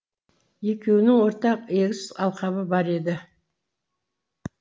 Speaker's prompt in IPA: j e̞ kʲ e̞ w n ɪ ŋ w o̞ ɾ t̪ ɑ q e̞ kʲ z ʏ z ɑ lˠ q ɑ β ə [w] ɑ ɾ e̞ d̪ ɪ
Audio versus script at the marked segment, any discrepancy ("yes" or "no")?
yes